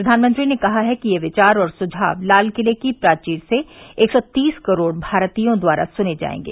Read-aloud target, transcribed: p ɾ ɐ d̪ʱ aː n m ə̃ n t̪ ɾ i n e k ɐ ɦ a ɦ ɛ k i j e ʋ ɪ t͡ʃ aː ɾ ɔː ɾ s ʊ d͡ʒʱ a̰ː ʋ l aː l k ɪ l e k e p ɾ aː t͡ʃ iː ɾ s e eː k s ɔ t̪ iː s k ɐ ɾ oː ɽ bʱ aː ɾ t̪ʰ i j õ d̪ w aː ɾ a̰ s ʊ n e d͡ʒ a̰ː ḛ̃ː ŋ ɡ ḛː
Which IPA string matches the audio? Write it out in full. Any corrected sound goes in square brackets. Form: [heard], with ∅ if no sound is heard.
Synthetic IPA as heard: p ɾ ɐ d̪ʱ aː n m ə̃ n t̪ ɾ i n e k ɐ ɦ a ɦ ɛ k i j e ʋ ɪ t͡ʃ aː ɾ ɔː ɾ s ʊ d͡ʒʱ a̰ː ʋ l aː l k ɪ l e k [i] p ɾ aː t͡ʃ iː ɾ s e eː k s ɔ t̪ iː s k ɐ ɾ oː ɽ bʱ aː ɾ [t̪] i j õ d̪ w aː ɾ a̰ s ʊ n e d͡ʒ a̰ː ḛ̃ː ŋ ɡ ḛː